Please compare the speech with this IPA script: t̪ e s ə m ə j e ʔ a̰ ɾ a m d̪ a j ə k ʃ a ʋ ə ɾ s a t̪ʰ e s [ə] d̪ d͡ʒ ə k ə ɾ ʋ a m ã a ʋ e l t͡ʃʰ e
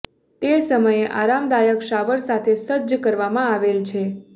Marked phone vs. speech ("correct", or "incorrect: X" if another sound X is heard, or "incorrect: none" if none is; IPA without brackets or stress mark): correct